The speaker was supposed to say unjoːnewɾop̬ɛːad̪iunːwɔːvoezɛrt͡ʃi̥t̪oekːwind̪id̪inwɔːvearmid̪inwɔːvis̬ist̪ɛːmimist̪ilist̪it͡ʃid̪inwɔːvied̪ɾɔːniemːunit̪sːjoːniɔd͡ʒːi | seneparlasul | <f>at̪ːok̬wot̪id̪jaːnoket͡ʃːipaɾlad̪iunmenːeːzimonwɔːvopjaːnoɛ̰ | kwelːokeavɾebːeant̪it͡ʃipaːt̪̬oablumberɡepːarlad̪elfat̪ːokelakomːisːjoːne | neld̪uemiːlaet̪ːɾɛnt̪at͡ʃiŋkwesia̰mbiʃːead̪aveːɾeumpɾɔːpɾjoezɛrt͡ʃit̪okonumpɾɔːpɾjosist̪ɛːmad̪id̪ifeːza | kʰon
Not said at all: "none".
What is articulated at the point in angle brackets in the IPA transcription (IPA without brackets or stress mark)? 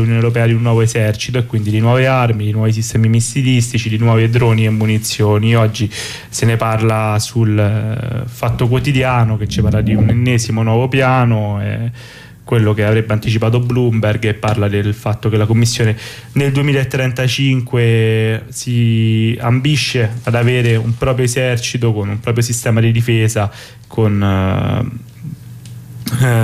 f